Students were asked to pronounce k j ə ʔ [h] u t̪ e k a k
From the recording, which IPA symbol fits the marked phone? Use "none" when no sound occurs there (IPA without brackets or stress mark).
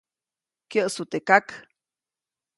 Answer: s